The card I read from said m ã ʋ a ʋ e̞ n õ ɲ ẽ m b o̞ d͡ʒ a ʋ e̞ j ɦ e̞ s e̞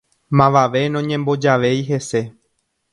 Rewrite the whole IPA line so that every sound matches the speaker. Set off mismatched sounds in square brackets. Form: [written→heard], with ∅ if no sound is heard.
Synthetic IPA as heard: m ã ʋ a ʋ e̞ n õ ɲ ẽ m b o̞ d͡ʒ a ʋ e̞ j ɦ e̞ s e̞